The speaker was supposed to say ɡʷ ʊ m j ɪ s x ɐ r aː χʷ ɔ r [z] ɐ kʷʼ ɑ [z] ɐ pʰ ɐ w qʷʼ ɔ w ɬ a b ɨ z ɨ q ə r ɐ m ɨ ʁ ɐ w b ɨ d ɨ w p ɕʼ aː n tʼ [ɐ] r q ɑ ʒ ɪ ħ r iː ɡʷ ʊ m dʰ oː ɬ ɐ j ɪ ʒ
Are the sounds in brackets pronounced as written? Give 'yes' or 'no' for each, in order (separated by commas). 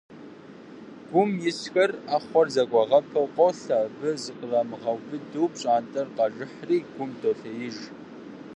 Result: yes, no, yes